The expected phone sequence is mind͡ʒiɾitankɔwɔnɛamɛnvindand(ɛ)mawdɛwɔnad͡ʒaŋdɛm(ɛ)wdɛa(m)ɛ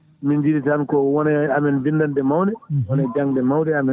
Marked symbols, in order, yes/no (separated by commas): yes, no, yes